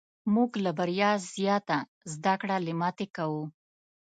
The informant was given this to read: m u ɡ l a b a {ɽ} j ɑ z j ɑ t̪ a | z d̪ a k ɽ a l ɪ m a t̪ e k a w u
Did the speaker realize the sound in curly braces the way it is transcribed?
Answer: no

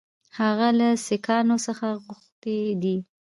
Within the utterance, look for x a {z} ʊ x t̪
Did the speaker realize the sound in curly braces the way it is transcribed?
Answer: no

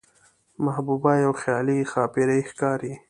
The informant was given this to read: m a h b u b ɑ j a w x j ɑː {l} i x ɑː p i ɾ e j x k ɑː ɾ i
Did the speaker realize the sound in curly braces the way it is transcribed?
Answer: yes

